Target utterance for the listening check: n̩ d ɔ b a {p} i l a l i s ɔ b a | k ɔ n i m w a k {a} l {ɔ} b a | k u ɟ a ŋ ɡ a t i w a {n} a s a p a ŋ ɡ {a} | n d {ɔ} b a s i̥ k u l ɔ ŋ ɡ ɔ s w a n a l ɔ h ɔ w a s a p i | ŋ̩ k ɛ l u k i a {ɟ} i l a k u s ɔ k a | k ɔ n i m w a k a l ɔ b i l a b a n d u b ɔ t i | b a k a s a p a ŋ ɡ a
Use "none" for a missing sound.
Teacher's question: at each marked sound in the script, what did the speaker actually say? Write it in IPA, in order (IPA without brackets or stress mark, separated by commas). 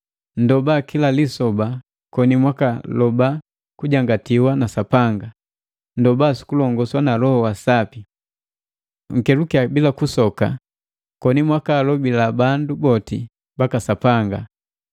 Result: k, a, ɔ, n, a, ɔ, b